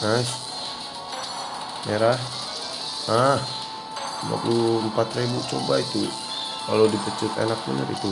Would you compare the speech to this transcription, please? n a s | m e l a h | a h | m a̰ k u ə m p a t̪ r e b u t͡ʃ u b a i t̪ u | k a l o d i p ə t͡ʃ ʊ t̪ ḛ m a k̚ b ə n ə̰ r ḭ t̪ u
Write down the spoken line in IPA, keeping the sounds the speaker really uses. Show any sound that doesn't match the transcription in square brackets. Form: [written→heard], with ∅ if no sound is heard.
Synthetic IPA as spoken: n a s | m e [l→ɾ] a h | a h | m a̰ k u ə m p a t̪ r e b u t͡ʃ [u→o] b a i t̪ u | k a l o d i p ə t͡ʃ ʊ t̪ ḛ [m→n] a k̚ b ə n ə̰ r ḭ t̪ u